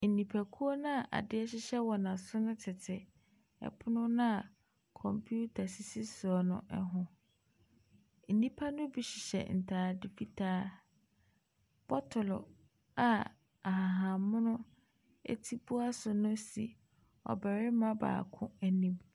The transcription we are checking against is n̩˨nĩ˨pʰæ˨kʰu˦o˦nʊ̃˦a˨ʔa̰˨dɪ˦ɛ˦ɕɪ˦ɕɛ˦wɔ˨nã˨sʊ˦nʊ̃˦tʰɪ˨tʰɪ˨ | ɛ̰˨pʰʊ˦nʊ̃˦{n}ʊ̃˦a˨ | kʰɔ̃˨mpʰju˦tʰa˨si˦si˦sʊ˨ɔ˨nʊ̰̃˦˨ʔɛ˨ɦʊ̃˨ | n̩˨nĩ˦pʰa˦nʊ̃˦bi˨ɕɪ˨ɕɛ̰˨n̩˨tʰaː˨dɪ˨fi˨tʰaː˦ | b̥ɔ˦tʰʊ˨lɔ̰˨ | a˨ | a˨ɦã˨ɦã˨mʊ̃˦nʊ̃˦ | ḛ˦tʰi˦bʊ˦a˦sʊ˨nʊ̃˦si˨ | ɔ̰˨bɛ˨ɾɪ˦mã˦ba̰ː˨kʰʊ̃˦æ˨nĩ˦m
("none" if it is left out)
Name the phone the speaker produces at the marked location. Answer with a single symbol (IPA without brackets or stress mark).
n